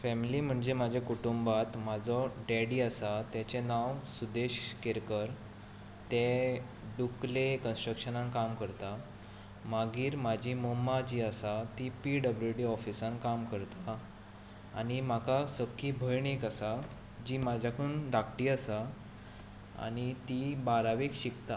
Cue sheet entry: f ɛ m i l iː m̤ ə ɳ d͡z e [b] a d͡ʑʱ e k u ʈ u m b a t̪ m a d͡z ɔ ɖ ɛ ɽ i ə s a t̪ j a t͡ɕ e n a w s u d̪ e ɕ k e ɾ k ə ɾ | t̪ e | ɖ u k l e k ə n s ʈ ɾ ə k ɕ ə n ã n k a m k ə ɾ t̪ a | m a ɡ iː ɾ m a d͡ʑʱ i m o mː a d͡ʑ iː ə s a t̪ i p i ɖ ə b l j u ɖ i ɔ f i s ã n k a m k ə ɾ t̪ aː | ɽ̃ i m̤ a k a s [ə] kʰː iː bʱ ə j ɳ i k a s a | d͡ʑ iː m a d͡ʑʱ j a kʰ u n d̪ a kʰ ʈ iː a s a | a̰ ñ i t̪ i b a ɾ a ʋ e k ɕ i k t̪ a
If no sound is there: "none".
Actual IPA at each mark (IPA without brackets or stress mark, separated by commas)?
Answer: m, ə